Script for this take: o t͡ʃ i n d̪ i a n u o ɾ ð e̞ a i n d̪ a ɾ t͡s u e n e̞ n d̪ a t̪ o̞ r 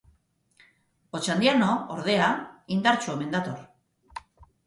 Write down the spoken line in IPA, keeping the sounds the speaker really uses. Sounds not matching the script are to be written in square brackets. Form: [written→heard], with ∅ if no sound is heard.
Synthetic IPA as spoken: o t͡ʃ [i→a] n d̪ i a n [u→o] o ɾ ð e̞ a i n d̪ a ɾ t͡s u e [n→m] e̞ n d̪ a t̪ o̞ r